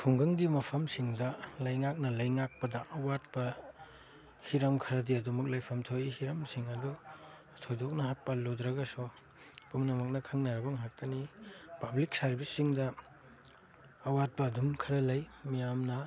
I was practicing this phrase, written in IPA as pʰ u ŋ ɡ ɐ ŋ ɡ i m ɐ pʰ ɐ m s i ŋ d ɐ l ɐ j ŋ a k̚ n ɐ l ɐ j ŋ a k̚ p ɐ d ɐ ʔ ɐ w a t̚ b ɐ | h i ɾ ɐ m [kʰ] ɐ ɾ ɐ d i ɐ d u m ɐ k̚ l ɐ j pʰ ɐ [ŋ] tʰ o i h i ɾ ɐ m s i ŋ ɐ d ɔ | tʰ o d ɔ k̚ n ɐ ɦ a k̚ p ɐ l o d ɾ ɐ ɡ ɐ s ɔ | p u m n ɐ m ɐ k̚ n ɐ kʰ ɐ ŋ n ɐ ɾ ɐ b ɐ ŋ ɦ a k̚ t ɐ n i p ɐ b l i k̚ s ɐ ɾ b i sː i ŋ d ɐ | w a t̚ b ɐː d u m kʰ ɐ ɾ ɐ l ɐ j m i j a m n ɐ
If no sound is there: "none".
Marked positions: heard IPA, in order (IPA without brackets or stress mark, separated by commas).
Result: kʰ, m